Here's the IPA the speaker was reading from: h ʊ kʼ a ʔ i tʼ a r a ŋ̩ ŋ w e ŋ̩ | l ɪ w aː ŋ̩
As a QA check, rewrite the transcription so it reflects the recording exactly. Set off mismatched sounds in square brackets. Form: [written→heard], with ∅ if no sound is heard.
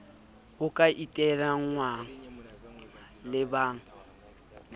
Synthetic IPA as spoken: h ʊ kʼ a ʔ i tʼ [a→ɛ] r a ŋ̩ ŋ w [e→a] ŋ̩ | l ɪ [w→b] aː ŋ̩